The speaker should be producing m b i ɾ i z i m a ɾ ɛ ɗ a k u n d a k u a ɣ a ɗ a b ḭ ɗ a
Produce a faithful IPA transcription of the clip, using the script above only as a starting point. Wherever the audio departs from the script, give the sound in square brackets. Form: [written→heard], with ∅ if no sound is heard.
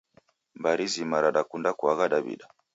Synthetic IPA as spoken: m b [i→a] ɾ i z i m a ɾ [ɛ→a] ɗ a k u n d a k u a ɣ a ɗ a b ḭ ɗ a